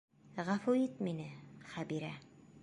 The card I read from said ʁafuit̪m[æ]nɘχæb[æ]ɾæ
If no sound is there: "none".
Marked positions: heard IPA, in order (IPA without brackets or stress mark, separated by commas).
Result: i, i